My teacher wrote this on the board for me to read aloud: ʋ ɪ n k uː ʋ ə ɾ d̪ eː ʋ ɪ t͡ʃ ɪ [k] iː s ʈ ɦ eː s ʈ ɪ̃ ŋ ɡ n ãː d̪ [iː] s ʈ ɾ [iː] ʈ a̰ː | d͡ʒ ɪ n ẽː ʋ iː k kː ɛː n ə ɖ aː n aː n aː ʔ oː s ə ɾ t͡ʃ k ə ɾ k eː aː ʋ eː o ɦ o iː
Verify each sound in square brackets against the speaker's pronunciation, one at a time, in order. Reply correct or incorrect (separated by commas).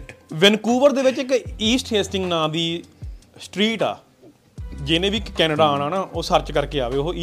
correct, correct, correct